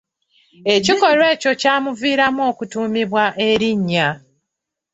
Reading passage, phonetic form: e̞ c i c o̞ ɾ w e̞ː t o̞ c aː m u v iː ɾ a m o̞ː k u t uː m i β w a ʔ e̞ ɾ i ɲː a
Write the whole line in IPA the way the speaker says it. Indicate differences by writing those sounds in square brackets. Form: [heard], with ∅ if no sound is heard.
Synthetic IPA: e̞ c i [k] o̞ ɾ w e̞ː [c] o̞ c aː m u v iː ɾ a m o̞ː k u t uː m i β w a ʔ e̞ ɾ i ɲː a